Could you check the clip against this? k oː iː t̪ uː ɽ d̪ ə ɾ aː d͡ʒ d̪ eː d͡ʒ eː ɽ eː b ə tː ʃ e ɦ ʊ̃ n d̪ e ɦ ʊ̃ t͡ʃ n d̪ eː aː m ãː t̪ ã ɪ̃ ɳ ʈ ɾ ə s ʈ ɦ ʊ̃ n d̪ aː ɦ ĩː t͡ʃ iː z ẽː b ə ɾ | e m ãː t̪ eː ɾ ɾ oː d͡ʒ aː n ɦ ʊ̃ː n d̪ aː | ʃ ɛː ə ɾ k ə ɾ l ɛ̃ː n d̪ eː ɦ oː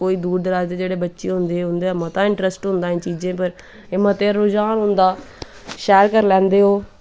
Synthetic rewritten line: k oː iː d̪ uː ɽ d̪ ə ɾ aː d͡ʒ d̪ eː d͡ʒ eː ɽ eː b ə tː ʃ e ɦ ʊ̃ n d̪ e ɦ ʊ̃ n d̪ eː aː m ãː t̪ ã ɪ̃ ɳ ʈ ɾ ə s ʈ ɦ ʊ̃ n d̪ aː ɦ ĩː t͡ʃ iː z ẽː p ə ɾ | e m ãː t̪ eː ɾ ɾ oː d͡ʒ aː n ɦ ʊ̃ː n d̪ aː | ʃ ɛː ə ɾ k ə ɾ l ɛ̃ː n d̪ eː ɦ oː

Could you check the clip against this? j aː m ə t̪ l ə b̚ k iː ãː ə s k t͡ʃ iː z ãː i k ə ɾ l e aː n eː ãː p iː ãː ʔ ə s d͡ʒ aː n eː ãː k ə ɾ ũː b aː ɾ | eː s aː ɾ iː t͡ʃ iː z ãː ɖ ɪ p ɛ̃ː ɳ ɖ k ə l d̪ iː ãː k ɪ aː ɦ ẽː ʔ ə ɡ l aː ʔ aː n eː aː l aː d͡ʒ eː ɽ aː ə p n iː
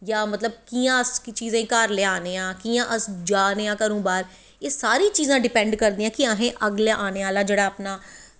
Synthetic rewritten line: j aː m ə t̪ l ə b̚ k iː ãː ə s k t͡ʃ iː z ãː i k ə ɾ l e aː n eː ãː k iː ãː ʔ ə s d͡ʒ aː n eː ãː k ə ɾ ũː b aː ɾ | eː s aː ɾ iː t͡ʃ iː z ãː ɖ ɪ p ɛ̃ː ɳ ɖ k ə ɾ d̪ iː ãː k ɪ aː ɦ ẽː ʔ ə ɡ l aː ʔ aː n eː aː l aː d͡ʒ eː ɽ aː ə p n aː

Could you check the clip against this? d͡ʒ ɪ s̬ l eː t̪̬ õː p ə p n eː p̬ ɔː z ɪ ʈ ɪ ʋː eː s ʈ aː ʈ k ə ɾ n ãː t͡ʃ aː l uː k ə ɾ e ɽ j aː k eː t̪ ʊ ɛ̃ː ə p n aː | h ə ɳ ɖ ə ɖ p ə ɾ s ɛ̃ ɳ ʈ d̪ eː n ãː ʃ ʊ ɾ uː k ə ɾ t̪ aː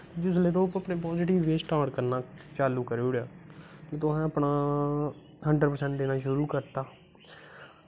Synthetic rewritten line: d͡ʒ ɪ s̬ l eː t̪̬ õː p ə p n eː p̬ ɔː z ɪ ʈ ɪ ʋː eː s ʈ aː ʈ k ə ɾ n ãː t͡ʃ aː l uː k ə ɾ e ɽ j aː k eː t̪ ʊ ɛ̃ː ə p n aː | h ə ɳ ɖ ə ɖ p ə ɾ s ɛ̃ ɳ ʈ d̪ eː n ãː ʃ ʊ ɾ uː k ə ɾ t̪ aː

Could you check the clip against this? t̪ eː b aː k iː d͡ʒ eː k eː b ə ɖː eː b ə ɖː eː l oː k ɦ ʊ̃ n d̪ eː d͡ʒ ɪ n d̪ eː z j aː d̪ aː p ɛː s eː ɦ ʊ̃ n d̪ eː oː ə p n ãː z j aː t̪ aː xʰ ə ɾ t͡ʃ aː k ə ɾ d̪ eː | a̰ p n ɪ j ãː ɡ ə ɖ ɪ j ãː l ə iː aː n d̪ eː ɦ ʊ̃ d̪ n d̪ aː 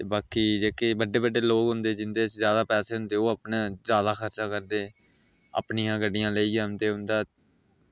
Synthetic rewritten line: t̪ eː b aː k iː d͡ʒ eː k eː b ə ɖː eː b ə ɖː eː l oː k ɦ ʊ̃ n d̪ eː d͡ʒ ɪ n d̪ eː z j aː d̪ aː p ɛː s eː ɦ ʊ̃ n d̪ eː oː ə p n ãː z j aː d̪ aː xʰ ə ɾ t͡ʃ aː k ə ɾ d̪ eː | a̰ p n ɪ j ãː ɡ ə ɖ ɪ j ãː l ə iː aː n d̪ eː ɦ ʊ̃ n d̪ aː

